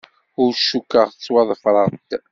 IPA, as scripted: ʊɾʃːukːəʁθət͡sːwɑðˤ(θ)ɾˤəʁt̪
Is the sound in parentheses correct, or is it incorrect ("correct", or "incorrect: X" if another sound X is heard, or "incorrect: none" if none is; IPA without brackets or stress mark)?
incorrect: f